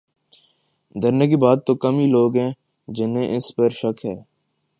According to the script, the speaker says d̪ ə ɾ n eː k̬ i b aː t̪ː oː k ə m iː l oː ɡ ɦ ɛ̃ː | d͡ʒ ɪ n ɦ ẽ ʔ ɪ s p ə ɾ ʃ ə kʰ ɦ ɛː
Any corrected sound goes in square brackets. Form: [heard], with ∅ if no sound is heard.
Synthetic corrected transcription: d̪ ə ɾ n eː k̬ i b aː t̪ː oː k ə m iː l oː ɡ ɦ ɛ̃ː | d͡ʒ ɪ n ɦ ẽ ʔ ɪ s p ə ɾ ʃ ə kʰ ɦ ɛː

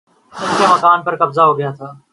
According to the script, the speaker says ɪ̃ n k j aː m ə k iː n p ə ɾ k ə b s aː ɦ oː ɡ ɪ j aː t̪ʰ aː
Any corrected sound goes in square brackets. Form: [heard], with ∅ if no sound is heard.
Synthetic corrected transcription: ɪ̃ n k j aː m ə k [aː] n p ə ɾ k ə b [z] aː ɦ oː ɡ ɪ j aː t̪ʰ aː

